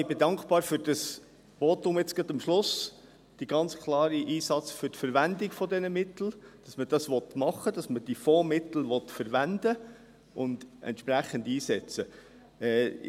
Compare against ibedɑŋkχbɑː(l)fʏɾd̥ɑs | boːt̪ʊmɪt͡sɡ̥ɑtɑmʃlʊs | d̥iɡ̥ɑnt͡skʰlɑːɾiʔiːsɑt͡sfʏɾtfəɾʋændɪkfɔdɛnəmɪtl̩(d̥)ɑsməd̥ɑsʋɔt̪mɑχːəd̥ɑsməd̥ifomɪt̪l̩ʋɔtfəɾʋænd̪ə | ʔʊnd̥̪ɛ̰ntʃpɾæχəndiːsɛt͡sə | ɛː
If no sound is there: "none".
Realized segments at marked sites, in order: ɾ, d̥

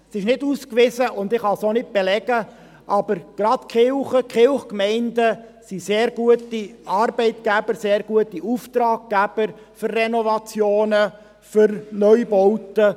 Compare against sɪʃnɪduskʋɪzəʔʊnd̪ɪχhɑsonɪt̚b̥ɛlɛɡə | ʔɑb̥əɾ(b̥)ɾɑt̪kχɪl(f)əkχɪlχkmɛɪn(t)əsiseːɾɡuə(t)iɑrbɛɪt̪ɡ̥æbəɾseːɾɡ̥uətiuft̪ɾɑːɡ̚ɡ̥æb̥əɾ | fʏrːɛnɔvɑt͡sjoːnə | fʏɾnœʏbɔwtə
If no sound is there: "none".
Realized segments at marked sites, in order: ɡ̥, χ, d, t

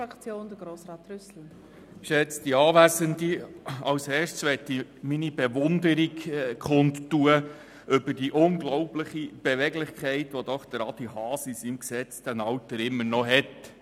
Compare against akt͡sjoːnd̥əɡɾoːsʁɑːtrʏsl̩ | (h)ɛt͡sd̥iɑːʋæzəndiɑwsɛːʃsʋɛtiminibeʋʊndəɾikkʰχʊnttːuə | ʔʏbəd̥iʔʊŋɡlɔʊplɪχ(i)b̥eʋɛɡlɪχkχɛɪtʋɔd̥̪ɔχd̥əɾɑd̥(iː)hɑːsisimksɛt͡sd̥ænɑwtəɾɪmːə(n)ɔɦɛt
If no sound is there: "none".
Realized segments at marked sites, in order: ʃ, i, i, n

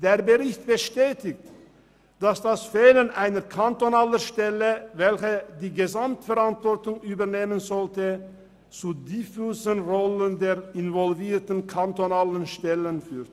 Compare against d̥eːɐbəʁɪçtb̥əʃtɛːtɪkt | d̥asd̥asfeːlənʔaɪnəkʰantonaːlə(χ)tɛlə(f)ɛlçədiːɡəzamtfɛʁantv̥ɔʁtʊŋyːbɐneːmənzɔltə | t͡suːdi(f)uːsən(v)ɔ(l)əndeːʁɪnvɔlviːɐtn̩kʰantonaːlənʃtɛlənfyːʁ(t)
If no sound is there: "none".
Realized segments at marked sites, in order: ʃ, v, f, ʁ, l, t

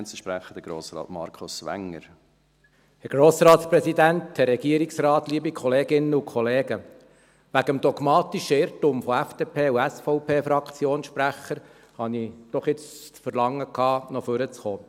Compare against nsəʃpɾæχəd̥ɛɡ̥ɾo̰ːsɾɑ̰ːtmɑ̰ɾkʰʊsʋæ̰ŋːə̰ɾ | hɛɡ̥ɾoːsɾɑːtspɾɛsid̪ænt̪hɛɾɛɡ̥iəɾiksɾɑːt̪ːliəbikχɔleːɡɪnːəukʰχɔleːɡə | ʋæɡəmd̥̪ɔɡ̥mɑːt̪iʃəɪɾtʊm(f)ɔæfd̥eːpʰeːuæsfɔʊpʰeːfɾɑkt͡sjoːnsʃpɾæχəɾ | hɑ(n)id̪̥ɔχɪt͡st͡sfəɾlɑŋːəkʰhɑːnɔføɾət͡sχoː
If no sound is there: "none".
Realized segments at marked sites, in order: f, n

